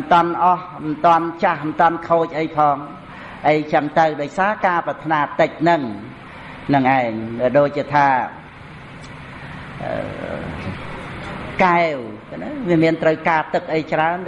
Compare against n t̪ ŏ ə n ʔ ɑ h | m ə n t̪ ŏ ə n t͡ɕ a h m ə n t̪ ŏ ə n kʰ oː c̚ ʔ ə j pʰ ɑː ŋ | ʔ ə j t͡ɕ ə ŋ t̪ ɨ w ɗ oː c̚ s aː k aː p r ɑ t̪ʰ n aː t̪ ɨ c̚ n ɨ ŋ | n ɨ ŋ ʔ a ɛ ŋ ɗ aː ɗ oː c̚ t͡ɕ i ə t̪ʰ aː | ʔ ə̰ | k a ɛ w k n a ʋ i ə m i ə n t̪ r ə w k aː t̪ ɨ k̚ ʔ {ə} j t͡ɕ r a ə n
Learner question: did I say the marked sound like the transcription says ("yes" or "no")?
yes